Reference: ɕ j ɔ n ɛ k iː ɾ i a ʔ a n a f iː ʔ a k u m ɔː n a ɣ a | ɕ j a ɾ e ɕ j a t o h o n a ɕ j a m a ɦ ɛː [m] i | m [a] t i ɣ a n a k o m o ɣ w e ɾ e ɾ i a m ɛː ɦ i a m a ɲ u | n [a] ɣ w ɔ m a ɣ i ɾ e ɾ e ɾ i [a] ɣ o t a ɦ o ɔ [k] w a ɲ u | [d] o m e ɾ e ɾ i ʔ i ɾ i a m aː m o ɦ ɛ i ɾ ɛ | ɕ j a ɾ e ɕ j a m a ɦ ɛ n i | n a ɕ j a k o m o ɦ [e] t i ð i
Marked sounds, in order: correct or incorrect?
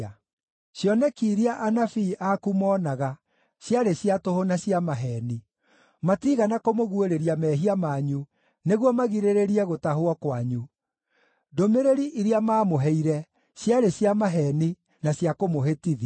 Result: incorrect: n, correct, incorrect: e, incorrect: ɛ, correct, correct, correct

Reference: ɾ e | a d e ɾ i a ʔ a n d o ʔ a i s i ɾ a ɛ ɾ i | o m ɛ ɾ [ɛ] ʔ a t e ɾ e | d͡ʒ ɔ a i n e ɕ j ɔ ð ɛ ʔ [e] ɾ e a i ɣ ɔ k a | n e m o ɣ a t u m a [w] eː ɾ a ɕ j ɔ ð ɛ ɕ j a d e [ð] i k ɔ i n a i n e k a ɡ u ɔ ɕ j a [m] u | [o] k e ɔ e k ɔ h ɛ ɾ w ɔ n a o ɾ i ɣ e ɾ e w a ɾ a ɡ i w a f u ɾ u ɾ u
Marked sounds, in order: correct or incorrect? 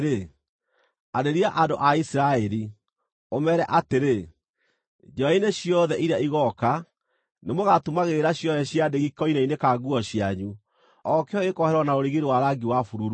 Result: correct, incorrect: i, incorrect: ɣ, incorrect: ɣ, incorrect: ɲ, incorrect: ɔ

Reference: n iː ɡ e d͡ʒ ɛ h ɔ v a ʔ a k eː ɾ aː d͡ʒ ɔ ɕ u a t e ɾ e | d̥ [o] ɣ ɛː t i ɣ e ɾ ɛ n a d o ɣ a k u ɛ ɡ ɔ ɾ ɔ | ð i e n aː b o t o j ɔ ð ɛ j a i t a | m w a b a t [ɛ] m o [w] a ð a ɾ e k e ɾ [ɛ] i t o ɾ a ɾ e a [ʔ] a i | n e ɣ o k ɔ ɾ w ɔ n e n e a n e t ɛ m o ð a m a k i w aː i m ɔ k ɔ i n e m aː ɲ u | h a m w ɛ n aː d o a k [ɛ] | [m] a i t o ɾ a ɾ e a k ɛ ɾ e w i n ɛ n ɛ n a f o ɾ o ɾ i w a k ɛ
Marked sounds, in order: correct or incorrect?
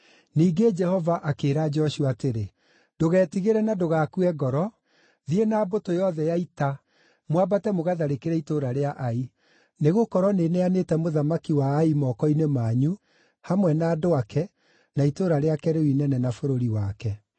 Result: correct, correct, incorrect: ɣ, correct, correct, correct, incorrect: n

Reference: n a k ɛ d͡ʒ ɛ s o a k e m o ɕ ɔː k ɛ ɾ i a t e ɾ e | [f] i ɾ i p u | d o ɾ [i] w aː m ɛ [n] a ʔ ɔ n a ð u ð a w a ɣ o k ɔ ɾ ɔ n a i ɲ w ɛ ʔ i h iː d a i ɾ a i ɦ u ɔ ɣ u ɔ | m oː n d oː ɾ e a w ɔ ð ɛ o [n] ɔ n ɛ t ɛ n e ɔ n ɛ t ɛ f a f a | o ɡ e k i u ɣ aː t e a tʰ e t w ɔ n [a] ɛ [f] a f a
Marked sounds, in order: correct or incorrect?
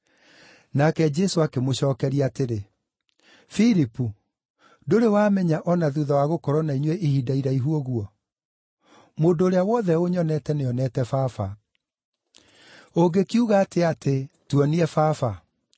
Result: correct, incorrect: e, incorrect: ɲ, incorrect: ɲ, incorrect: i, correct

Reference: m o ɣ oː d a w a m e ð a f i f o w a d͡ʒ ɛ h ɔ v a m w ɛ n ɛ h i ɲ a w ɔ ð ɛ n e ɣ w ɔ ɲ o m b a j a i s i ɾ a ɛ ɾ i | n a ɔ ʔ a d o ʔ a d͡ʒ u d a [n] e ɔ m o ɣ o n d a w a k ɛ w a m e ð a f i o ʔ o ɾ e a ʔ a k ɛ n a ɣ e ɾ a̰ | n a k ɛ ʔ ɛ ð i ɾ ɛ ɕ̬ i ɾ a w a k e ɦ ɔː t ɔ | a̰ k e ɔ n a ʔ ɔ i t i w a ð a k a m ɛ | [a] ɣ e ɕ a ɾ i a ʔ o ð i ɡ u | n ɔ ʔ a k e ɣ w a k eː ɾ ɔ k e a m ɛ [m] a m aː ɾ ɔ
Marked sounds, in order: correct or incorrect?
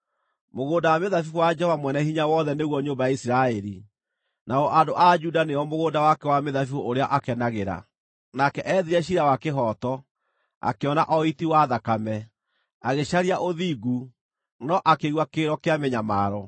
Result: correct, correct, incorrect: ɲ

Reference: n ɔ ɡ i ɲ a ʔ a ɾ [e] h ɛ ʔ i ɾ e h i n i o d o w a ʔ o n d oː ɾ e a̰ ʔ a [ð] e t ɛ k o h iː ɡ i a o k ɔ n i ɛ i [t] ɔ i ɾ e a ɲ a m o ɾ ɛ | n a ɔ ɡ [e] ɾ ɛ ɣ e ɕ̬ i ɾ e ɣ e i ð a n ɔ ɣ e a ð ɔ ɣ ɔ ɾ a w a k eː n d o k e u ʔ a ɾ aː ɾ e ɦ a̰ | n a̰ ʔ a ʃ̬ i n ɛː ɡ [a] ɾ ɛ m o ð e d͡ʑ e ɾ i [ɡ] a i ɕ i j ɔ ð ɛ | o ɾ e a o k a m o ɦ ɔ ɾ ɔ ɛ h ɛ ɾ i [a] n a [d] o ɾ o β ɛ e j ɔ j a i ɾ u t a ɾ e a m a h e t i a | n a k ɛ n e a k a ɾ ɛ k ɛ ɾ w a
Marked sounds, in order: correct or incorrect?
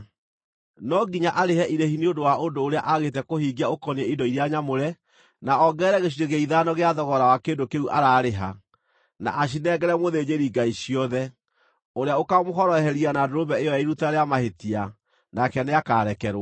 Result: correct, incorrect: ɣ, incorrect: d, incorrect: ɛ, incorrect: ɛ, correct, correct, correct

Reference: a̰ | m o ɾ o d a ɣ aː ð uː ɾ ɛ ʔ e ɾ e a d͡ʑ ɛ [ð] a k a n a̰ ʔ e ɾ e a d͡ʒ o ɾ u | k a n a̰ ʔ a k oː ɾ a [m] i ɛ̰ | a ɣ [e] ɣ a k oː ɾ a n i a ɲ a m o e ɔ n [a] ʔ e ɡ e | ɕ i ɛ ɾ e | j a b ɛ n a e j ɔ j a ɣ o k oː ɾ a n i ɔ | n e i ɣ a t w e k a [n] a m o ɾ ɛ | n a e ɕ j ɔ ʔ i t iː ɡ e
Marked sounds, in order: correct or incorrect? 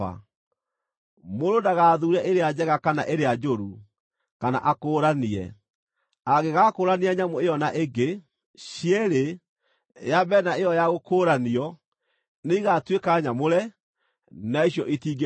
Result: incorrect: ɣ, incorrect: n, correct, correct, incorrect: ɲ

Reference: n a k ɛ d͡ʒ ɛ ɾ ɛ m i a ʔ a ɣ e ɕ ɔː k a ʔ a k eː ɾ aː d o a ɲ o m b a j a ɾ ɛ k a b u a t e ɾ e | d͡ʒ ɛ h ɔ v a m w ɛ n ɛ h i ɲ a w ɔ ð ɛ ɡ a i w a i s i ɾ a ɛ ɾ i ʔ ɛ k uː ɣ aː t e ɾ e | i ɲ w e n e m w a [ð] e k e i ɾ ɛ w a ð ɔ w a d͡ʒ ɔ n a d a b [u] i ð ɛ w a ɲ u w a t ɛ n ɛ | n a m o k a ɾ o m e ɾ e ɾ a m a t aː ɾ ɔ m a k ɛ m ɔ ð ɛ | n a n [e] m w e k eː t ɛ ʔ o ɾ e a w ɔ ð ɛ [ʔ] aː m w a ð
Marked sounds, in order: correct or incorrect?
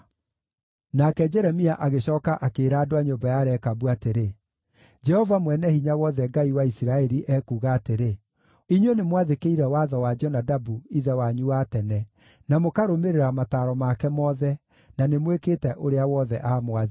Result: correct, correct, correct, correct

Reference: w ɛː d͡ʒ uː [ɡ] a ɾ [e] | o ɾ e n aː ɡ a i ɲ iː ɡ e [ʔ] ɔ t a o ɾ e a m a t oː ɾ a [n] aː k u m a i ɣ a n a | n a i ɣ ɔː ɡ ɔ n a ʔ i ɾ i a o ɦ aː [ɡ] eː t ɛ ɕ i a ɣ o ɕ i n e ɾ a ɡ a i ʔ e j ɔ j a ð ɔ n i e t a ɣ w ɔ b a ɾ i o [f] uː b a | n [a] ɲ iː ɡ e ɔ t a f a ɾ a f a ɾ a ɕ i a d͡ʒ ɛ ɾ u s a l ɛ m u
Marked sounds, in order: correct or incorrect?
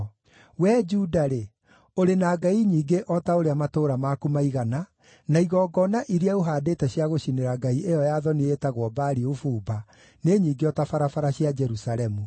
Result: incorrect: d, correct, correct, incorrect: m, incorrect: d, correct, incorrect: e

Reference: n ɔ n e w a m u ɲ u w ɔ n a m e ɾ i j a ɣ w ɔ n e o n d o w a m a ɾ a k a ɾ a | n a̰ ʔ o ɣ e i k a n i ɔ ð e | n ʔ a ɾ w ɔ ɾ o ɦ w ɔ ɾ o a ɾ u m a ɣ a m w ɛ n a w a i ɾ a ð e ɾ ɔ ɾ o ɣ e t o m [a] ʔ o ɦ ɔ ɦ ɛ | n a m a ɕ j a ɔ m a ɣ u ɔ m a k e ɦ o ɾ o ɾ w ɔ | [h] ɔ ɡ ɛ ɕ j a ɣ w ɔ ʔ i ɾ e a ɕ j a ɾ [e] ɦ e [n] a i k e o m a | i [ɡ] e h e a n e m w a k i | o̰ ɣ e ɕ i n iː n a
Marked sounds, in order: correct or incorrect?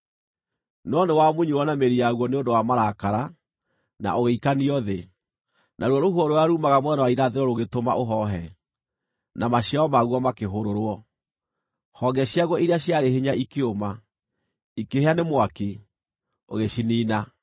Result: correct, correct, correct, incorrect: ɲ, incorrect: k

